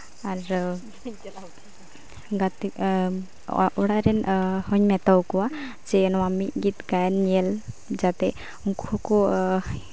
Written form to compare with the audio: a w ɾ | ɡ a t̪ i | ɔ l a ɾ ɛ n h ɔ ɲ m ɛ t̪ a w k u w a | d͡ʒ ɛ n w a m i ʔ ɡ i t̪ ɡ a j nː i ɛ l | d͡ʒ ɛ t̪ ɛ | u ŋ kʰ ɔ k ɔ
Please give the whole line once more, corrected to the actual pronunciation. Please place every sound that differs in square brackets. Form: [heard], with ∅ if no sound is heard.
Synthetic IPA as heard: a [∅] ɾ | ɡ a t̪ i | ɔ [ɽ] a ɾ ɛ n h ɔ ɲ m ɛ t̪ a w k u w a | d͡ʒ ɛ n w a m i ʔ ɡ i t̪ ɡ a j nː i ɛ l | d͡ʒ [a] t̪ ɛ | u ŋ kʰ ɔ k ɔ